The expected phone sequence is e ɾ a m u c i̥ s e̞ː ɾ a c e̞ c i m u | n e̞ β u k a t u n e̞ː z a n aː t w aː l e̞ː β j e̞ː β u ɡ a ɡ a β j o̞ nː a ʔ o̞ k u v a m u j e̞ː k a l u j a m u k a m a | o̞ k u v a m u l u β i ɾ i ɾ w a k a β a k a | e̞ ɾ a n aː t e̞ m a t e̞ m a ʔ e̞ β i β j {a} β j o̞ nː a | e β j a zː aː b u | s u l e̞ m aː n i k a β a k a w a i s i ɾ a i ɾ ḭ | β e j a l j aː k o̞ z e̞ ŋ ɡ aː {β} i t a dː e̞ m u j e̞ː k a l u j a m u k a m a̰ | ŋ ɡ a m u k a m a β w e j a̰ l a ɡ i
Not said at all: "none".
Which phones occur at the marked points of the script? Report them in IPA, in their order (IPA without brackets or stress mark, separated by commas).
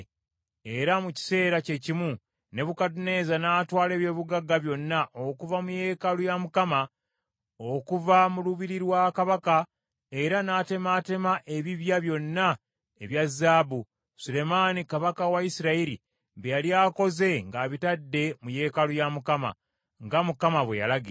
a, β